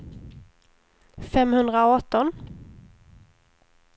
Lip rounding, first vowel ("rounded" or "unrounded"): unrounded